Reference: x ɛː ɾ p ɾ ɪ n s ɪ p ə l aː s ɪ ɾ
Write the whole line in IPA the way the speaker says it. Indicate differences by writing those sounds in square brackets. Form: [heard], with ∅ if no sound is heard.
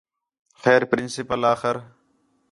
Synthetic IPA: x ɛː ɾ p ɾ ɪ n s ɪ p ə l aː [x] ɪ ɾ